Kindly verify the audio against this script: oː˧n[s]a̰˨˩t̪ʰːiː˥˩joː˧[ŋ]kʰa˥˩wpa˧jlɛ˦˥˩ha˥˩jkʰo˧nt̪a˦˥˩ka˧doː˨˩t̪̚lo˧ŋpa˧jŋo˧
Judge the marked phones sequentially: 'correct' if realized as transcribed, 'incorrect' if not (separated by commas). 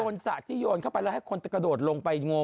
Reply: correct, incorrect